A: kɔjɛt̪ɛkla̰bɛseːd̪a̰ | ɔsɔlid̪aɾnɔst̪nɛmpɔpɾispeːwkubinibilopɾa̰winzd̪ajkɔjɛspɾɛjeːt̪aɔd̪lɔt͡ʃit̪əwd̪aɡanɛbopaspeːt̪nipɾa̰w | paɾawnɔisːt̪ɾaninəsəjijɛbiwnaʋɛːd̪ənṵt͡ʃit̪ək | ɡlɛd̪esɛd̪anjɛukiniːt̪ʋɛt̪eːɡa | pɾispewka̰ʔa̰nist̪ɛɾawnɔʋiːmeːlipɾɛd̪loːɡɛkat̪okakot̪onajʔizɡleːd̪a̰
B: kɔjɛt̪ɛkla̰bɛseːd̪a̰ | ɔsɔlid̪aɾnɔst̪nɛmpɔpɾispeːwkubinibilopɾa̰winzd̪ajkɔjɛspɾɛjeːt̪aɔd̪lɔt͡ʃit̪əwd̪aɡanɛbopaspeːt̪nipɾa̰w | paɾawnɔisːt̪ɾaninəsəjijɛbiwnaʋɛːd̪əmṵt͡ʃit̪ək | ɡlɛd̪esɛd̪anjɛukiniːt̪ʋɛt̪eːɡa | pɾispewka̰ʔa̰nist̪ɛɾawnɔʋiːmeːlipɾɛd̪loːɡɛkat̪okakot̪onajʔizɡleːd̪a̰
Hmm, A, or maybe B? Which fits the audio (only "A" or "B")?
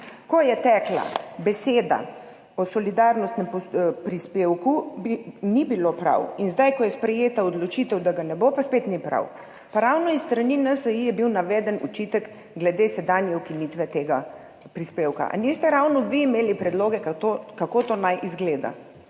A